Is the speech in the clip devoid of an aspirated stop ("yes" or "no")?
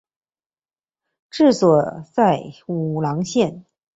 yes